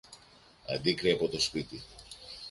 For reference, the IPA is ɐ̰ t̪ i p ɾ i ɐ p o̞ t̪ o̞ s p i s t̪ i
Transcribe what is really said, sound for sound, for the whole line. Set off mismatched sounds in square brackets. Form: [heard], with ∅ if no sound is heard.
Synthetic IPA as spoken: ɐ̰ [d̪] i [k] ɾ i ɐ p o̞ t̪ o̞ s p i [∅] t̪ i

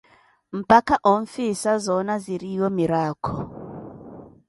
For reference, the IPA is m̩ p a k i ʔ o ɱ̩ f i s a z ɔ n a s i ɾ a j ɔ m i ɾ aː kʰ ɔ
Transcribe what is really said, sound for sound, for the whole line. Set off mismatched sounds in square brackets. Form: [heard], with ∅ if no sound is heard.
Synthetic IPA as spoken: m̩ p a k [a] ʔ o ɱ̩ f i s a z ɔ n a [z] i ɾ [i] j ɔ m i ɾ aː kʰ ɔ

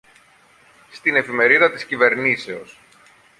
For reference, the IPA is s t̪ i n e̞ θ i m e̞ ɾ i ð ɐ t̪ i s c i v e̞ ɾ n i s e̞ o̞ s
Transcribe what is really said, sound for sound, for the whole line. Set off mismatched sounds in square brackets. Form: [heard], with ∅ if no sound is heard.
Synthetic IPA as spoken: s t̪ i n e̞ [f] i m e̞ ɾ i ð ɐ t̪ i s c i v e̞ ɾ n i s e̞ o̞ s

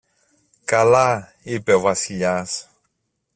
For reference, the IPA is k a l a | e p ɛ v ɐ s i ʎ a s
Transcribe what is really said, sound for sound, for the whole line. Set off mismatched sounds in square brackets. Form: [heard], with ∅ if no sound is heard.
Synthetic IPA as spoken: k a l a | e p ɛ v [a] s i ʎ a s

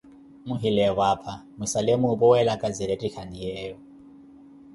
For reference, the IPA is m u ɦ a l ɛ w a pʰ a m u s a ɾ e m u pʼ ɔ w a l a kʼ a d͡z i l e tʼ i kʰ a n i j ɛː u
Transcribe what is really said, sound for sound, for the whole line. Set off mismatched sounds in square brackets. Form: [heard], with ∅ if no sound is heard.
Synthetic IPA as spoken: m u ɦ [i] l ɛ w a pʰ a m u s a [l] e m u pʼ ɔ w [ɛ] l a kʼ a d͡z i [ɾ] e tʼ i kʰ a n i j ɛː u

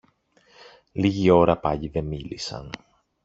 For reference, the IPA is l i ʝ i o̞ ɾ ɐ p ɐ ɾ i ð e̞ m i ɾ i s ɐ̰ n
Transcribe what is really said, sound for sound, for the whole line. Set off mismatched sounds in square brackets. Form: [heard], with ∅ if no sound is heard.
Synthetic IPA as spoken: l i ʝ i o̞ ɾ ɐ p ɐ [ʎ] i ð e̞ m i [l] i s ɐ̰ n

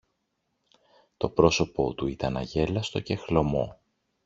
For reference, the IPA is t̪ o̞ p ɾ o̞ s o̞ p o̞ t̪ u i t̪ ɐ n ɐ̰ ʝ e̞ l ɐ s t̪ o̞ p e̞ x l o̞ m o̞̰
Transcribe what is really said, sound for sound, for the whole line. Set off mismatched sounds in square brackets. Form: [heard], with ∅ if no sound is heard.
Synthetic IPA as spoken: t̪ o̞ p ɾ o̞ s o̞ p o̞ t̪ u i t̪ ɐ n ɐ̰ ʝ e̞ l ɐ s t̪ o̞ [c] e̞ x l o̞ m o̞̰

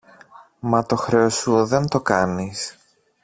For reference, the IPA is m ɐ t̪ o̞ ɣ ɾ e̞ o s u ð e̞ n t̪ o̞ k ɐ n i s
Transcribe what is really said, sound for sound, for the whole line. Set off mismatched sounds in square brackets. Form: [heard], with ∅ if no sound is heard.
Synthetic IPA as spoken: m ɐ t̪ o̞ [x] ɾ e̞ o s u ð e̞ n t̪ o̞ k ɐ n i s

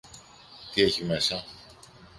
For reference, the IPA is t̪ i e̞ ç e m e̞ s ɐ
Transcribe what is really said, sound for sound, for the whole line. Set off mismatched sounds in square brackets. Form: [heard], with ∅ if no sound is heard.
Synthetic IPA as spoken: t̪ i e̞ ç [i] m e̞ s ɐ

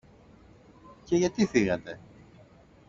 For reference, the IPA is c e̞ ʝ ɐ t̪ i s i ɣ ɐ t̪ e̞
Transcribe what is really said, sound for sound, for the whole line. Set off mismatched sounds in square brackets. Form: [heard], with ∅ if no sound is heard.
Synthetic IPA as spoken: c e̞ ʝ ɐ t̪ i [θ] i ɣ ɐ t̪ e̞

